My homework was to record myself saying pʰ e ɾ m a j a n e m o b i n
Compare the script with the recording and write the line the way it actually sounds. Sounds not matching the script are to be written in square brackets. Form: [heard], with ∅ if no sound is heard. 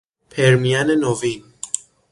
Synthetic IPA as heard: pʰ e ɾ m [i] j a n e [n] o [v] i n